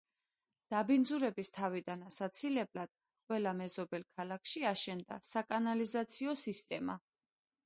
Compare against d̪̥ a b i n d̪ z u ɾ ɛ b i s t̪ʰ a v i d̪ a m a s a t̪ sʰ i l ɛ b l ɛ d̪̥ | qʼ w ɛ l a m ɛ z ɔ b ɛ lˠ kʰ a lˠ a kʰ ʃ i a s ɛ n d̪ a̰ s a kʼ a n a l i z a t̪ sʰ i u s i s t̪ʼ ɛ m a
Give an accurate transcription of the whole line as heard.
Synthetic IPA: d̪̥ a b i n d̪ z u ɾ ɛ b i s t̪ʰ a v i d̪ a n a s a t̪ sʰ i l ɛ b l a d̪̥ | qʼ w ɛ l a m ɛ z ɔ b ɛ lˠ kʰ a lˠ a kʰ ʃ i a ʃ ɛ n d̪ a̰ s a kʼ a n a l i z a t̪ sʰ i ɔ s i s t̪ʼ ɛ m a